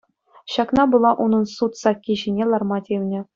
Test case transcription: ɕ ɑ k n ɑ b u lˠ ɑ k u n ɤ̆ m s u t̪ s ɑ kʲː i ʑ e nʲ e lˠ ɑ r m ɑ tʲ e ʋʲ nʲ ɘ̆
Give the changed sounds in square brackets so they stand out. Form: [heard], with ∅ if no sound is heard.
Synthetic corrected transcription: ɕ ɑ k n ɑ b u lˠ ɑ [ʔ] u n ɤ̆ [n] s u t̪ s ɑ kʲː i ʑ [i] nʲ e lˠ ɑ r m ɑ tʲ e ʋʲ nʲ ɘ̆